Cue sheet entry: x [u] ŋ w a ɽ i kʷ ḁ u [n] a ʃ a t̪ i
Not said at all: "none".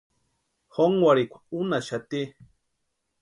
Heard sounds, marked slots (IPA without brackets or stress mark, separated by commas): o, n